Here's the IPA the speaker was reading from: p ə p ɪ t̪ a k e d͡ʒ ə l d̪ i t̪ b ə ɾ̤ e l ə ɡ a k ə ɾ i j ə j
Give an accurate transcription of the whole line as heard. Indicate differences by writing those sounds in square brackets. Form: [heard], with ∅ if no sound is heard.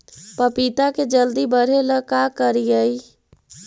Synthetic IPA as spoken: p ə p [i] t̪ a k e d͡ʒ ə l d̪ i [∅] b ə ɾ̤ e l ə [k] a k ə ɾ i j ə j